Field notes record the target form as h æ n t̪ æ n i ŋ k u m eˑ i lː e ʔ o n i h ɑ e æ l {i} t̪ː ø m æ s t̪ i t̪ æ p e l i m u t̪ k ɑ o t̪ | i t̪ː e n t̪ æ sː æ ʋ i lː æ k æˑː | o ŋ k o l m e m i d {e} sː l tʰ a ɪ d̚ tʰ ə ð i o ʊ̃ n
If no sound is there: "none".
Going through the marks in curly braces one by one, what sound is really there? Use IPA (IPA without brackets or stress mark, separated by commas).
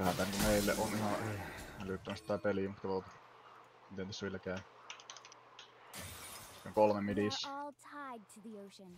y, i